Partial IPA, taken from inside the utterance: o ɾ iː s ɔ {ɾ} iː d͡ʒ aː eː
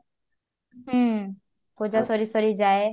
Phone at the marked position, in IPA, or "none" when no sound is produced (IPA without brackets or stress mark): ɾ